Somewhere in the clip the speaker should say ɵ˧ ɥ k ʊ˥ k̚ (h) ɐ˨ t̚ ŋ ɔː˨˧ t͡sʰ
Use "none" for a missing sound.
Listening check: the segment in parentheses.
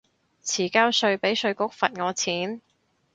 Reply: f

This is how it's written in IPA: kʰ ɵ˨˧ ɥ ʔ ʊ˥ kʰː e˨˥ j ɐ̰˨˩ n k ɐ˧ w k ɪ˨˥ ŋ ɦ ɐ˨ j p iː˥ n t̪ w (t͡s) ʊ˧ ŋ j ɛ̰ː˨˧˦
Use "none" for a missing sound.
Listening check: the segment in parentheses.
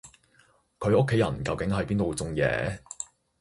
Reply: t͡s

